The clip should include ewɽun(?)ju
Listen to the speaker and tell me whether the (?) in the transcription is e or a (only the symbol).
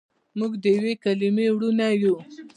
a